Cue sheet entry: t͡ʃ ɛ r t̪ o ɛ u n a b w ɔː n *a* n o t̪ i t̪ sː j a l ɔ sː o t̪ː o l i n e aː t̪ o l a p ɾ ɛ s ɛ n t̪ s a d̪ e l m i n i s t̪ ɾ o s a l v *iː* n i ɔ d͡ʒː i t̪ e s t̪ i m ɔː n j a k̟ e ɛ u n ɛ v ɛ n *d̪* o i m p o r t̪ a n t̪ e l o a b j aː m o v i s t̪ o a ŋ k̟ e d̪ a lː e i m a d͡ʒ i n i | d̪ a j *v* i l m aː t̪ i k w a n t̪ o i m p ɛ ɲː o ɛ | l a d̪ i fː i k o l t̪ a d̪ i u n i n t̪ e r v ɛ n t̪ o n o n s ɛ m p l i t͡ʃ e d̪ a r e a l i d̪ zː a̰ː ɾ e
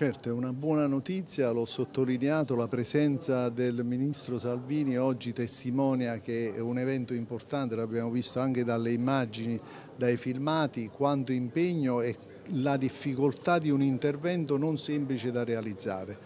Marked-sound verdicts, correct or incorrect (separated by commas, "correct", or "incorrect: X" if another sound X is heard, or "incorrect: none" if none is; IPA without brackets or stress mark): correct, correct, incorrect: t̪, incorrect: f